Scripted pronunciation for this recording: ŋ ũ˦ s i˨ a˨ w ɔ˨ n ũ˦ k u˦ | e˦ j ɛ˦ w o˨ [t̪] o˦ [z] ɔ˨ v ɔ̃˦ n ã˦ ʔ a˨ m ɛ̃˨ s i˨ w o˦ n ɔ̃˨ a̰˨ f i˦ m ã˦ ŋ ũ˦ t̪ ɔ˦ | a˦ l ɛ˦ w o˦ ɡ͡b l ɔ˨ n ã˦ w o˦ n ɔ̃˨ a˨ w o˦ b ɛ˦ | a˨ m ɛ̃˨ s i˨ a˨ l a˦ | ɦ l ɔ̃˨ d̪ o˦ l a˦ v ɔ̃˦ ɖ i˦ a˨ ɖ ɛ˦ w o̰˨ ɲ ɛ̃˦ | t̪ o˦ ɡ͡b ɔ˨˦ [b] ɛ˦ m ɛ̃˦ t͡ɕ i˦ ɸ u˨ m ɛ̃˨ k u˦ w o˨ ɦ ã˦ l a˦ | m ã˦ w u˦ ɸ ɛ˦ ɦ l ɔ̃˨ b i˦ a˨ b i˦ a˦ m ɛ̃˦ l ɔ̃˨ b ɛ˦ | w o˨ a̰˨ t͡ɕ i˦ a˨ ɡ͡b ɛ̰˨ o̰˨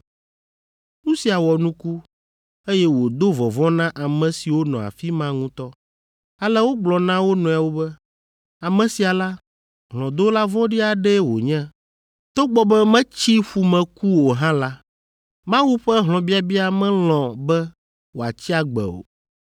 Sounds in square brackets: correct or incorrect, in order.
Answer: incorrect: d̪, incorrect: v, correct

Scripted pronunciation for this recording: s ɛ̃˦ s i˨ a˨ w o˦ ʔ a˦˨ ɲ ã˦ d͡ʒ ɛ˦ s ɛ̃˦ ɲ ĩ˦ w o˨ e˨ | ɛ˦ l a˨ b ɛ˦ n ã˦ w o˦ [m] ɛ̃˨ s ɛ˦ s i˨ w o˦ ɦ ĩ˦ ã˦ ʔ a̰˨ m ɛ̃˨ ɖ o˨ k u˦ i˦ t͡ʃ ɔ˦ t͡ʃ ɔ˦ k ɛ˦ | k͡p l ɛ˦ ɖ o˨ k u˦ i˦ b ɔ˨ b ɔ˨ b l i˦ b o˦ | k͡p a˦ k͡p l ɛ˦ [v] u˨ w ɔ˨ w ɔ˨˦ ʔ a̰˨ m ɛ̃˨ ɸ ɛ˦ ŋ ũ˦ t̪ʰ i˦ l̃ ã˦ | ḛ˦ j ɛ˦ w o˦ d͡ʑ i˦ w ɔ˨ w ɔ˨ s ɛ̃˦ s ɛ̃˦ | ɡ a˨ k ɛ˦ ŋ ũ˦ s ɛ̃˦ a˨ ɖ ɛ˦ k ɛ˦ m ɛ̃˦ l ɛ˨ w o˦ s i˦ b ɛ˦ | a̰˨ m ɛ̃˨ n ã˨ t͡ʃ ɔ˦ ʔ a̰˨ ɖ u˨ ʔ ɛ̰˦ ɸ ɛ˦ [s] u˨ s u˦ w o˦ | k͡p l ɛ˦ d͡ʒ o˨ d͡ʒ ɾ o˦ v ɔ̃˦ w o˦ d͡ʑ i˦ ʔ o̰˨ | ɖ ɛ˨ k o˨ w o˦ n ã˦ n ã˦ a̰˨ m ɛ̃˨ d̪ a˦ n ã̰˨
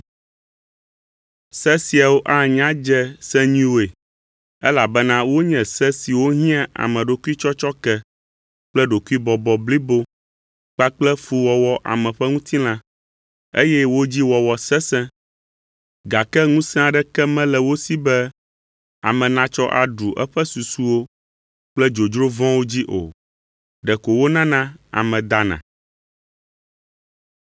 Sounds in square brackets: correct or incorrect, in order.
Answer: incorrect: ɲ, incorrect: f, correct

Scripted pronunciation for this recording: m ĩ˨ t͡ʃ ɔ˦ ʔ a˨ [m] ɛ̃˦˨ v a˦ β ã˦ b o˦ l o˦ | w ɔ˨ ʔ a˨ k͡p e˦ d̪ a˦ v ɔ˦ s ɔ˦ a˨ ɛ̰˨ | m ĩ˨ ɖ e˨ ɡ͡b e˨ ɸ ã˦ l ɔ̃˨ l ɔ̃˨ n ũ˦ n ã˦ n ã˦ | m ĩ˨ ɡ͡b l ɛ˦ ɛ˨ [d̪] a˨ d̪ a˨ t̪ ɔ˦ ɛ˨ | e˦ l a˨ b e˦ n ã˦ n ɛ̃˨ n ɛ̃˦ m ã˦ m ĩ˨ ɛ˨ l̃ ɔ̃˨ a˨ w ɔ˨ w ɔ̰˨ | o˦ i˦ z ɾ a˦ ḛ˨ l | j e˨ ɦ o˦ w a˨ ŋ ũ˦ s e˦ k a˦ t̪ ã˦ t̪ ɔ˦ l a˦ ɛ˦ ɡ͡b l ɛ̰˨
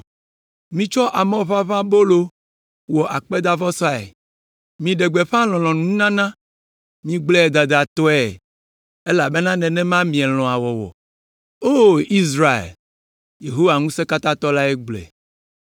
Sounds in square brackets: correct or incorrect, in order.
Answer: correct, correct

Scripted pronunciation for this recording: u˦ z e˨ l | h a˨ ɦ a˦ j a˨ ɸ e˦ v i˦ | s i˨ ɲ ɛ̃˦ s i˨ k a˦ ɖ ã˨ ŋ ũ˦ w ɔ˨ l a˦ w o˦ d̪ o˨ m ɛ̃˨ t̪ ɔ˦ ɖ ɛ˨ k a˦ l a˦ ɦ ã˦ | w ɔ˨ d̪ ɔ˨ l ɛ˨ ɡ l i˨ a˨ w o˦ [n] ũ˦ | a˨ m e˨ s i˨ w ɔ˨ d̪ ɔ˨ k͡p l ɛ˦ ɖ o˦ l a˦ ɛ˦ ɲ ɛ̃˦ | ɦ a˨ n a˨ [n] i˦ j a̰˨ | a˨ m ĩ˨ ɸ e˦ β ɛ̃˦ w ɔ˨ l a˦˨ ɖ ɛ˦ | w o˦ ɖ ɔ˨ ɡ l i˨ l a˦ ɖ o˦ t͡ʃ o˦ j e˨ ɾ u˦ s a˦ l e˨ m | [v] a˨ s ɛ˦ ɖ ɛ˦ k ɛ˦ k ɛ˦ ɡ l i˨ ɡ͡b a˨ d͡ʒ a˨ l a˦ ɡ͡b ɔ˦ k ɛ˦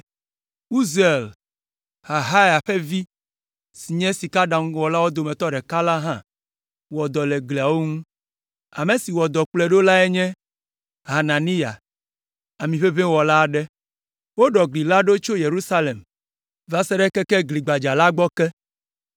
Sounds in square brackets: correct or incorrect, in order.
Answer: incorrect: ŋ, correct, correct

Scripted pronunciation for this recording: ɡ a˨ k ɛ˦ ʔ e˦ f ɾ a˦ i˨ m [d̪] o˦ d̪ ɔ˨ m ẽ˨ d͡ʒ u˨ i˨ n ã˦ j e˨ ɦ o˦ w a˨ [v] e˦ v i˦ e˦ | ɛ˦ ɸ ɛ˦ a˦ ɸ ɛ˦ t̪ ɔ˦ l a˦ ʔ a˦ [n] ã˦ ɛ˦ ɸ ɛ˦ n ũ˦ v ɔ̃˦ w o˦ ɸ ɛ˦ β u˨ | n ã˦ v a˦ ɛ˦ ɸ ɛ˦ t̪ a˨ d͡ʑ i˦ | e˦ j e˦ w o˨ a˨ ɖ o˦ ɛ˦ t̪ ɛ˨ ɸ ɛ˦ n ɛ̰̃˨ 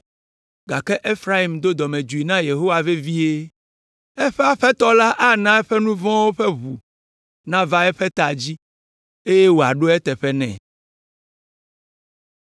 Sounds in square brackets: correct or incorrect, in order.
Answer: correct, correct, correct

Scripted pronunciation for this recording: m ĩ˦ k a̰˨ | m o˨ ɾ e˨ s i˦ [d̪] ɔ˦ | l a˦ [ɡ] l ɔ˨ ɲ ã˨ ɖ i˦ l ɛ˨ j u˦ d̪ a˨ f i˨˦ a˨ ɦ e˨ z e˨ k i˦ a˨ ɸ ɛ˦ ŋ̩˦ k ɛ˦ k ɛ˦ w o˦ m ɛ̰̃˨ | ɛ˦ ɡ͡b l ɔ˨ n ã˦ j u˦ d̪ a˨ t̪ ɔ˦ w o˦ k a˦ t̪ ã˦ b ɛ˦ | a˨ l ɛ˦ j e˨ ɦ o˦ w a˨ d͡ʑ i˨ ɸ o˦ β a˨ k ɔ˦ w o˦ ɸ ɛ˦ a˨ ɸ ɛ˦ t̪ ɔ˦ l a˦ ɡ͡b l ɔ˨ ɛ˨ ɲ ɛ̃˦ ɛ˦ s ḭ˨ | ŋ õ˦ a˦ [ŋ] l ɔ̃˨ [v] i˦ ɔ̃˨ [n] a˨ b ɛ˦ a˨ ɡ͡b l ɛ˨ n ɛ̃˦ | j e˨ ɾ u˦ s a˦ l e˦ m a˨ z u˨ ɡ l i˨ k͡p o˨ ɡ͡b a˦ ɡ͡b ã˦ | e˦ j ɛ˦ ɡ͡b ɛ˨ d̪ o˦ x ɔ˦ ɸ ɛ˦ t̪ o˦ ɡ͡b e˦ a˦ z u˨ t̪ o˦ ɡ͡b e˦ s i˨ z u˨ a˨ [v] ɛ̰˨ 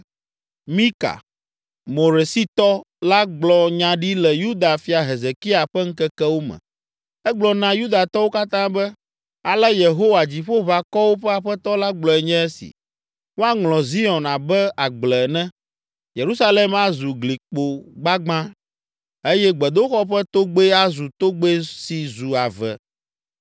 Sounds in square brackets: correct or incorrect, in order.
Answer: incorrect: t̪, incorrect: ɡ͡b, correct, incorrect: z, correct, correct

